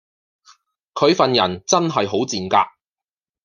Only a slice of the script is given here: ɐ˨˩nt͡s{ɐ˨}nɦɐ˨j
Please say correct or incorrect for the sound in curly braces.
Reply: incorrect: ɐ˥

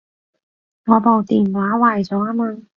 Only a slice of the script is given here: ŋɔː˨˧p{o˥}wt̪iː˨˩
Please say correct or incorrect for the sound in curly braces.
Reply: incorrect: o˨˧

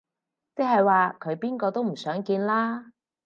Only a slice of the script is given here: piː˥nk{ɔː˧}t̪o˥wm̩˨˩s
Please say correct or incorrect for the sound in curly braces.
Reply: correct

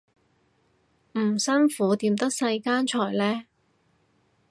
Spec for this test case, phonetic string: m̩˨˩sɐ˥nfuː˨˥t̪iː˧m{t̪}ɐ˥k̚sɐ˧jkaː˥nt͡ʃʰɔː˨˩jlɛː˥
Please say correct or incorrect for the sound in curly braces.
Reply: correct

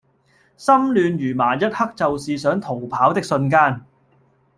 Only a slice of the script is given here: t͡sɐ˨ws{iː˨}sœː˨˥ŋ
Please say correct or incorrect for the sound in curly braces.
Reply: correct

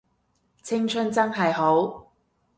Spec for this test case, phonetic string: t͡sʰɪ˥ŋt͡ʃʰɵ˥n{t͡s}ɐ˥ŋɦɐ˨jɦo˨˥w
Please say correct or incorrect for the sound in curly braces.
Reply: correct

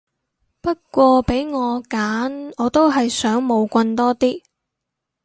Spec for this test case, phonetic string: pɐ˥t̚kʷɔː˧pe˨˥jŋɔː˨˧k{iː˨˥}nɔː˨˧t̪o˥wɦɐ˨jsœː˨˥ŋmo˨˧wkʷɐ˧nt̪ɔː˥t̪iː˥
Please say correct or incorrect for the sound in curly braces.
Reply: incorrect: aː˨˥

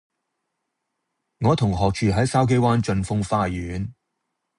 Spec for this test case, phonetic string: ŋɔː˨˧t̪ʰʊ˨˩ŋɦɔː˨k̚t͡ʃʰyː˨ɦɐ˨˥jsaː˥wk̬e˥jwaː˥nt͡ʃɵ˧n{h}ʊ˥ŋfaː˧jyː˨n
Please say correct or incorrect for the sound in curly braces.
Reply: incorrect: f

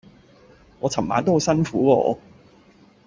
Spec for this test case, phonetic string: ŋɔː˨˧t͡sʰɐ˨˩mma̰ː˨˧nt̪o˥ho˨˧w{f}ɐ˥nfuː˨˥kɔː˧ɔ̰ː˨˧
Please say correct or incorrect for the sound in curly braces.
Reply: incorrect: s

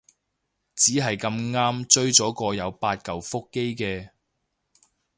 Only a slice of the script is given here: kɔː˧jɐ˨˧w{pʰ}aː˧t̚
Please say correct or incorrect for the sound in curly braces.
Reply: incorrect: p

